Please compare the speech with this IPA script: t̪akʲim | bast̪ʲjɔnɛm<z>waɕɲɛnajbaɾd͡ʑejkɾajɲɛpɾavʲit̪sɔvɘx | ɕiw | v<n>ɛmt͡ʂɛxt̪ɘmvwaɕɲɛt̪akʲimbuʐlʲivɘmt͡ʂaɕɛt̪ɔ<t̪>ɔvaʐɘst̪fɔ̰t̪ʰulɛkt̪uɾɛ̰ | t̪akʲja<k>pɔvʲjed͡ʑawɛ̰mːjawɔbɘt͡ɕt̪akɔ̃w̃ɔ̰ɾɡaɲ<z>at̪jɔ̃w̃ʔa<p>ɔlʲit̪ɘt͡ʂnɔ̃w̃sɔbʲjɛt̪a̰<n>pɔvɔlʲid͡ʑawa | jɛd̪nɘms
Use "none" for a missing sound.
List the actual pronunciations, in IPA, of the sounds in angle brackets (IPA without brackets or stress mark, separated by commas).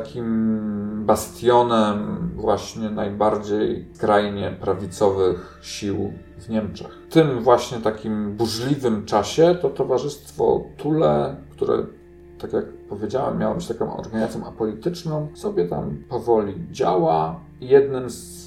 v, ɲ, t̪, k, z, p, m